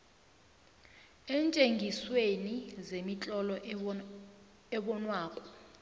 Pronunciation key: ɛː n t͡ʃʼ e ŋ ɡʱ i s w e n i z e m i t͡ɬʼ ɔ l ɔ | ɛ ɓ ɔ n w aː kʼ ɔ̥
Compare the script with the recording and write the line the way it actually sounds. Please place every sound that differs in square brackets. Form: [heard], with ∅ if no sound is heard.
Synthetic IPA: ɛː n t͡ʃʼ e ŋ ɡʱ i s w e n i z e m i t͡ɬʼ ɔ l ɔ | ɛ ɓ ɔ n w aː kʼ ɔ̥